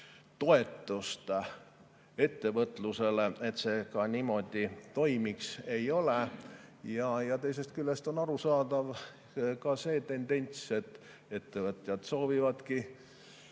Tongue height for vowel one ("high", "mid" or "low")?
mid